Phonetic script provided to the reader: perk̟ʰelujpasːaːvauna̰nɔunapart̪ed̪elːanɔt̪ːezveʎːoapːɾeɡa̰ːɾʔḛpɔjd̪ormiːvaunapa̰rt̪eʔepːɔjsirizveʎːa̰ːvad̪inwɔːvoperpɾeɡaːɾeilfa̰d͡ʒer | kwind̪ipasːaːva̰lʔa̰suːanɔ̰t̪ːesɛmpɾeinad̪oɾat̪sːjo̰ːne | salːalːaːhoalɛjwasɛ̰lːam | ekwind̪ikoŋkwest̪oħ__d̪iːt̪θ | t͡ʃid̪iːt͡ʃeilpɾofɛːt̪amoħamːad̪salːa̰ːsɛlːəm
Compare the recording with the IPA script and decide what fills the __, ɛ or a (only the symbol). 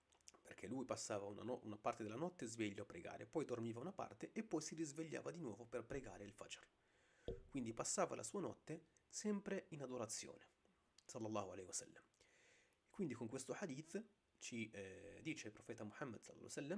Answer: a